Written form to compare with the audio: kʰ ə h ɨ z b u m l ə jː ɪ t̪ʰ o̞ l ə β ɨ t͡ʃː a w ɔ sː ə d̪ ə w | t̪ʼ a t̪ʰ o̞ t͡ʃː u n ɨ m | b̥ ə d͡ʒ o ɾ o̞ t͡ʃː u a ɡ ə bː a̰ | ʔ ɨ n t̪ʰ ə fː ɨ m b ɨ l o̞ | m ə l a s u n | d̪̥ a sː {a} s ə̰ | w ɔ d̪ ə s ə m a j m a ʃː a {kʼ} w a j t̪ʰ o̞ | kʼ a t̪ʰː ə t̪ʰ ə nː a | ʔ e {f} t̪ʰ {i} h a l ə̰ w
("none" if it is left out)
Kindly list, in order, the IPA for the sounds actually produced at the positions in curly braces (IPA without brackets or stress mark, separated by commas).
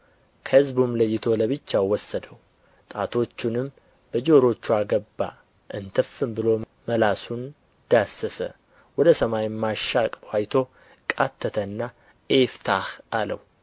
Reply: ə, kʼ, f, a